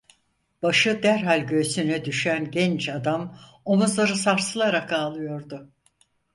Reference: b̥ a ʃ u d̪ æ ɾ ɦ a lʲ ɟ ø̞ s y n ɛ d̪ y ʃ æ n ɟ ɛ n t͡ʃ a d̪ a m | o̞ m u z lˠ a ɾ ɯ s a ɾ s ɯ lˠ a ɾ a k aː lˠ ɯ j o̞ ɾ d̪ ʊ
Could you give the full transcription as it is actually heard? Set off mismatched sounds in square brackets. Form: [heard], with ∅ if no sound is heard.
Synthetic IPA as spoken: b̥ a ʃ [ɯ] d̪ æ ɾ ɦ a lʲ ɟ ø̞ s y n ɛ d̪ y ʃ æ n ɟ ɛ n t͡ʃ a d̪ a m | o̞ m u z lˠ a ɾ ɯ s a ɾ s ɯ lˠ a ɾ a k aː lˠ ɯ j o̞ ɾ d̪ ʊ

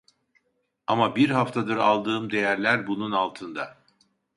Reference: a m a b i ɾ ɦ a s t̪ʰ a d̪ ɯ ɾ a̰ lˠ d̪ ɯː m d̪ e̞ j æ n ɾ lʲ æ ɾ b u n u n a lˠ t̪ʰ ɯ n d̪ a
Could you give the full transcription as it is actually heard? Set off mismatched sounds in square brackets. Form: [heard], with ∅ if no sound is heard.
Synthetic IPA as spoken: a m a b i ɾ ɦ a [f] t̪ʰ a d̪ ɯ ɾ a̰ lˠ d̪ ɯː m d̪ e̞ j æ [∅] ɾ lʲ æ ɾ b u n u n a lˠ t̪ʰ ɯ n d̪ a

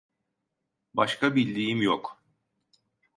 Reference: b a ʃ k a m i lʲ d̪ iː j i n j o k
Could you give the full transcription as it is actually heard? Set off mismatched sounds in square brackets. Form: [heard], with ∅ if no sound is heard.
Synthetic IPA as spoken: b a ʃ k a [b] i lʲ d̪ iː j i [m] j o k

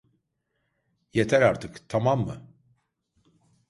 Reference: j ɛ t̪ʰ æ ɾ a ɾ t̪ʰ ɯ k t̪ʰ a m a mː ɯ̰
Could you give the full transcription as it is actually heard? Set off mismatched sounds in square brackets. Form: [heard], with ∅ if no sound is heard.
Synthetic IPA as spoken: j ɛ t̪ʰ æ ɾ a ɾ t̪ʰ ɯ k t̪ʰ a m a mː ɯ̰

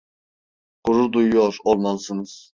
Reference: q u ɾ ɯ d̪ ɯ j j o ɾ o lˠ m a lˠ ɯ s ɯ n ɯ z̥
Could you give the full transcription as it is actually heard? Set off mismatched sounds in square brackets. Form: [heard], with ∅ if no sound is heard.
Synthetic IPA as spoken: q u ɾ [u] d̪ [u] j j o ɾ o lˠ m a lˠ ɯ s ɯ n ɯ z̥

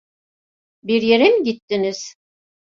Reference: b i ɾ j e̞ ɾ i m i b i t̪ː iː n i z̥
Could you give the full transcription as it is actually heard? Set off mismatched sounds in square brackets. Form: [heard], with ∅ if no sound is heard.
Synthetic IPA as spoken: b i ɾ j e̞ ɾ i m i [ɟ] i t̪ː [i] n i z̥

